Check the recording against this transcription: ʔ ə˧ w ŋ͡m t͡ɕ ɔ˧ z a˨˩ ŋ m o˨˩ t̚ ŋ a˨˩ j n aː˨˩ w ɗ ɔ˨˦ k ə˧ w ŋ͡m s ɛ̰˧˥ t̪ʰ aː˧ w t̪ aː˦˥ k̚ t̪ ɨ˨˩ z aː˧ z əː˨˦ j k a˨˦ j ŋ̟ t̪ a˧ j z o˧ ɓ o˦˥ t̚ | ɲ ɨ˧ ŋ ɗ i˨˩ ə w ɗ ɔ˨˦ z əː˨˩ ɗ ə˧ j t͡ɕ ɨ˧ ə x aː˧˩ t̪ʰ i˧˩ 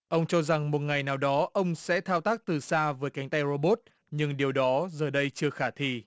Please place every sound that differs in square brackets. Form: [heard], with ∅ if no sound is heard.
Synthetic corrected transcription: ʔ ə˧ w ŋ͡m t͡ɕ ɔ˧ z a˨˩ ŋ m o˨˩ t̚ ŋ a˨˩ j n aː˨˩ w ɗ ɔ˨˦ [ʔ] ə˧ w ŋ͡m s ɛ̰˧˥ t̪ʰ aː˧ w t̪ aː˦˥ k̚ t̪ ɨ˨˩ [s] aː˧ [v] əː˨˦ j k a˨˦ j ŋ̟ t̪ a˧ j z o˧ ɓ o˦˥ t̚ | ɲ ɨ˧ ŋ ɗ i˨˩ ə w ɗ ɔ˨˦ z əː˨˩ ɗ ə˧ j t͡ɕ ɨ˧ ə x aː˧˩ t̪ʰ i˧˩